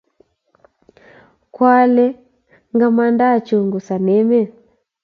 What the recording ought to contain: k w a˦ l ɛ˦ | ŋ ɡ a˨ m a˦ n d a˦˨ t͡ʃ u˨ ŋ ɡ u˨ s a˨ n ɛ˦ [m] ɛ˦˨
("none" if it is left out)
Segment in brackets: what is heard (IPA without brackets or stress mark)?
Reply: m